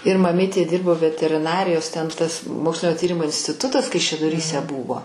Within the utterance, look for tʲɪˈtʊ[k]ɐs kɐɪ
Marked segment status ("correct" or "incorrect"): incorrect